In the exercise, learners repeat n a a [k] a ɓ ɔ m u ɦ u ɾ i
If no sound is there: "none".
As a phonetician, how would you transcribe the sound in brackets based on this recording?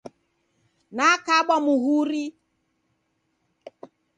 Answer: k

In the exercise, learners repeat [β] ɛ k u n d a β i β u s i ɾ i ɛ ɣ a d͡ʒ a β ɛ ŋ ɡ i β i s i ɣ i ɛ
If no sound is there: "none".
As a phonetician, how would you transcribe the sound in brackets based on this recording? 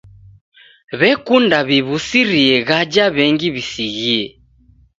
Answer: β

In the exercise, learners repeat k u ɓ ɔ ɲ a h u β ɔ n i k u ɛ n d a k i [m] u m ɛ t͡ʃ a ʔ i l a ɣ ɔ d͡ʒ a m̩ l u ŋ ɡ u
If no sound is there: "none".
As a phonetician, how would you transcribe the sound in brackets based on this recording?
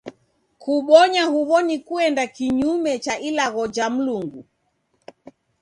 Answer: ɲ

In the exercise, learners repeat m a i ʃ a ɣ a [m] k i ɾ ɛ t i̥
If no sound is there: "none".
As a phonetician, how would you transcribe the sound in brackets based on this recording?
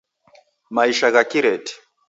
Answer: none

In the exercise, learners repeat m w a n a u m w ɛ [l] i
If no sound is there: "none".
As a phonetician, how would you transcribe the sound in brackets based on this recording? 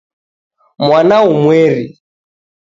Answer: ɾ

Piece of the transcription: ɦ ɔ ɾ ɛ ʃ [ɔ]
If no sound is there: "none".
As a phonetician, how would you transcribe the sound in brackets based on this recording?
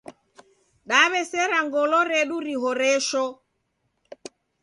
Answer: ɔ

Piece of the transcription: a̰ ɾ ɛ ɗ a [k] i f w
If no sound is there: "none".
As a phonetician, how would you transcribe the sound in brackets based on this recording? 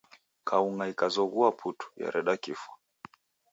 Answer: k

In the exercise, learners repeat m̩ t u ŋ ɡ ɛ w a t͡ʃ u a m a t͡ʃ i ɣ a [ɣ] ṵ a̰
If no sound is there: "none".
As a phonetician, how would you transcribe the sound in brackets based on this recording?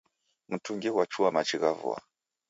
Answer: v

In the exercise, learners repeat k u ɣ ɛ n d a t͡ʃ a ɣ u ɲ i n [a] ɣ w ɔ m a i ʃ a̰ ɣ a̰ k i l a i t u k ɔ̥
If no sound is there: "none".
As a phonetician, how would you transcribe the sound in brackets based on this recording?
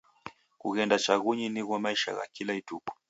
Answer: i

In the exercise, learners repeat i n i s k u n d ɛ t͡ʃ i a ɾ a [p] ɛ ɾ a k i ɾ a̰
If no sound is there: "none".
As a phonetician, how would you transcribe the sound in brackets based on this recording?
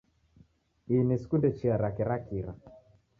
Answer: k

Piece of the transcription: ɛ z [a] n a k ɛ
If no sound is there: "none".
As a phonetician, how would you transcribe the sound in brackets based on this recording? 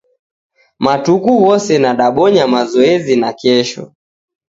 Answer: i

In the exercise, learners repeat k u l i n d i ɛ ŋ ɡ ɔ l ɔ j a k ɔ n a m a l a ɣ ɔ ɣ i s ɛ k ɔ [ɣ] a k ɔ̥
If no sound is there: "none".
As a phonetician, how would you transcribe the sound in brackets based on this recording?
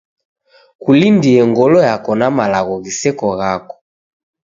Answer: ɣ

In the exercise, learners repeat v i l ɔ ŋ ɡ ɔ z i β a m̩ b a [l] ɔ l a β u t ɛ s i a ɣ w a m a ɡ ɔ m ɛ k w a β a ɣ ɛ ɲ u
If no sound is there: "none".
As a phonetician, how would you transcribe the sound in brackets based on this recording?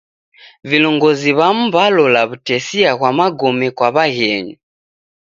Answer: l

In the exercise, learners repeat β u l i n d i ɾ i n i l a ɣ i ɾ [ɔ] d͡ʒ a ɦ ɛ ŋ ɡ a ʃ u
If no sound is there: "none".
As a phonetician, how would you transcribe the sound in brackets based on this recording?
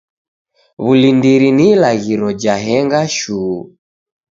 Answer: ɔ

